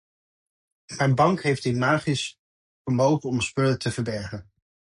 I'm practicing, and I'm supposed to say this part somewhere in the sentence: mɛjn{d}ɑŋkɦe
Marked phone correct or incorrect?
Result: incorrect